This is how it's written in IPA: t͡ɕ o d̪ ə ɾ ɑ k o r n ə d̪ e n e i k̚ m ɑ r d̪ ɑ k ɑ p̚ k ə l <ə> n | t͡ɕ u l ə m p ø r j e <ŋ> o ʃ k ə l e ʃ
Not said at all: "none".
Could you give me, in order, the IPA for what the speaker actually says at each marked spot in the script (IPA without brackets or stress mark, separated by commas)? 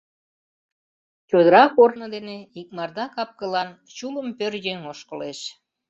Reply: ɑ, ŋ